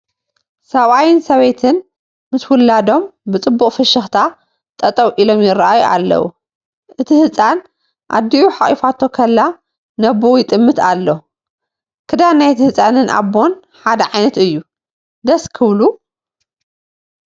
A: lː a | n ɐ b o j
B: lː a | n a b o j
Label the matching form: A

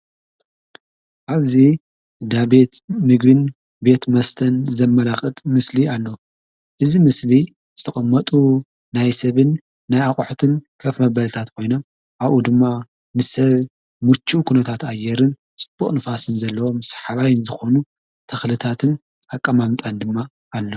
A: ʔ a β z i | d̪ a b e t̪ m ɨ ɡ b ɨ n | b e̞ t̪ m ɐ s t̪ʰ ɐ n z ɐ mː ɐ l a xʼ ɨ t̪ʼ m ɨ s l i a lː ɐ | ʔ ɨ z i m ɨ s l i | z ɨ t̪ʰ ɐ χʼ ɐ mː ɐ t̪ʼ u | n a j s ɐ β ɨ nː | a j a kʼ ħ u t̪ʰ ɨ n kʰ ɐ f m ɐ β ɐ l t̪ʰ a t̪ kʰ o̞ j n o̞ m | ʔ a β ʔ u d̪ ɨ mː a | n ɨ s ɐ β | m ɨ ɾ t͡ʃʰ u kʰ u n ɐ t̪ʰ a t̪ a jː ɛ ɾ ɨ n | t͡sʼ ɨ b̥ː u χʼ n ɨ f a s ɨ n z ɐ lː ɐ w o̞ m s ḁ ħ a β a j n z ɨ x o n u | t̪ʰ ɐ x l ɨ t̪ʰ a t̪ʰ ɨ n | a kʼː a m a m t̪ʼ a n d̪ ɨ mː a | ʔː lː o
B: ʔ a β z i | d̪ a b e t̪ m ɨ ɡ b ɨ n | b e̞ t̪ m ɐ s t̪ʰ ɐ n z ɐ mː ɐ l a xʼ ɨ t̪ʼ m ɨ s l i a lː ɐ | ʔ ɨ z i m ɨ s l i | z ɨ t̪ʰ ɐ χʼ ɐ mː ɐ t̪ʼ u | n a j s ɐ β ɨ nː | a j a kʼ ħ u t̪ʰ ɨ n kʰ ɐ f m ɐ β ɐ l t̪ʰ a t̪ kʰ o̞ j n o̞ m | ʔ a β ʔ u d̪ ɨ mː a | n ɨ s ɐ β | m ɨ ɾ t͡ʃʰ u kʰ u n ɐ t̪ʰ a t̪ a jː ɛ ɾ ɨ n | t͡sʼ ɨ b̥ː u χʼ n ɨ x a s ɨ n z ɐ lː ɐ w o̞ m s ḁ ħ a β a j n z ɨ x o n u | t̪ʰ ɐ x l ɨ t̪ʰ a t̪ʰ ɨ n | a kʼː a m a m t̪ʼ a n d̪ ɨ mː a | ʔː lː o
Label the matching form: A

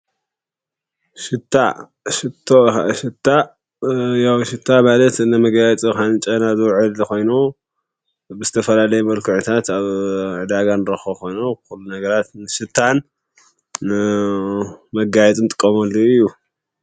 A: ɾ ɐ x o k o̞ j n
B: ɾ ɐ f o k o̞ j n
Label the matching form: A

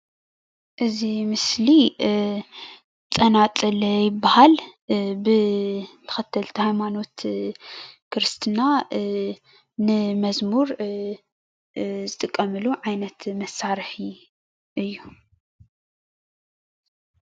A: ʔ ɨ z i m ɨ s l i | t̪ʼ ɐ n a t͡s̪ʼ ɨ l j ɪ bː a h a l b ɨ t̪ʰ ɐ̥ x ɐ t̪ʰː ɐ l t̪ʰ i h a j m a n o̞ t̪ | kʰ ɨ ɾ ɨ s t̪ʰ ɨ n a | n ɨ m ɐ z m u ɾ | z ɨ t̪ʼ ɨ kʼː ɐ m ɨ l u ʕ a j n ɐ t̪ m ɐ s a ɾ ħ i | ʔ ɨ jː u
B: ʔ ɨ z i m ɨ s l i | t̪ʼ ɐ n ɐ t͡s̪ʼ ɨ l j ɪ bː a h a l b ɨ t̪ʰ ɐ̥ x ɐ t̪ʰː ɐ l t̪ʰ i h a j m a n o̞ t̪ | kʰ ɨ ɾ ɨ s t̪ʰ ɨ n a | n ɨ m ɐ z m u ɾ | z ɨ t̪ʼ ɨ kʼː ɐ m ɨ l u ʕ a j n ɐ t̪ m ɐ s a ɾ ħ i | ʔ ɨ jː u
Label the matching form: A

